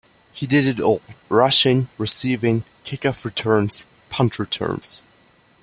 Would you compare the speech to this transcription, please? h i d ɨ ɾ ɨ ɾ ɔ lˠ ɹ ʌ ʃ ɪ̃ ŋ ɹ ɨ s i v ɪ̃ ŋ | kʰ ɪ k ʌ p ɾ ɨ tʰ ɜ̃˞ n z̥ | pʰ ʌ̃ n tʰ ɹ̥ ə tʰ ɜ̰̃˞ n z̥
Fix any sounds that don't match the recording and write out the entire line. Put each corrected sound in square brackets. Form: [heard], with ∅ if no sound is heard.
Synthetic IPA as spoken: h i d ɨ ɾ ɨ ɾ ɔ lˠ ɹ ʌ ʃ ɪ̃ ŋ ɹ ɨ s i v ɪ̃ ŋ | kʰ ɪ k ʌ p [ɹ] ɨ tʰ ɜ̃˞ n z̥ | pʰ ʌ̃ n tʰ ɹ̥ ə tʰ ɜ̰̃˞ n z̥